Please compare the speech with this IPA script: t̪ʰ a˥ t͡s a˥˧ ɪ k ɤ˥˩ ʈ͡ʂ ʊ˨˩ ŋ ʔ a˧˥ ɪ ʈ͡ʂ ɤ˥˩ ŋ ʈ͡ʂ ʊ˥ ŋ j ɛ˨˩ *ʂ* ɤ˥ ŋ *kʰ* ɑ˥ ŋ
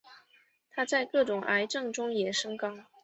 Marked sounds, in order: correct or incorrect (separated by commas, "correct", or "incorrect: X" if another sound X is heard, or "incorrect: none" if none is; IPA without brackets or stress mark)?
correct, incorrect: k